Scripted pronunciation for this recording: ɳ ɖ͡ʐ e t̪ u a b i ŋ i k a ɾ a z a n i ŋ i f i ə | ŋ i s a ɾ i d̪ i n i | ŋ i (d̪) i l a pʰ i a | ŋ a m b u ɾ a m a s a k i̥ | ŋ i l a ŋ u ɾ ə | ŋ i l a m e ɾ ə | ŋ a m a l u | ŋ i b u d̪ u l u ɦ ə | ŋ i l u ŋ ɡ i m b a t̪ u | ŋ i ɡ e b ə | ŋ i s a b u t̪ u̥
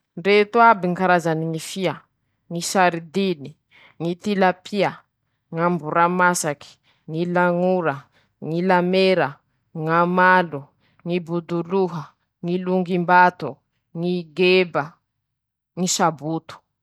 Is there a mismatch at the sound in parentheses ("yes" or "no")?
yes